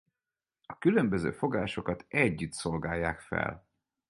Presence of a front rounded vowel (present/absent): present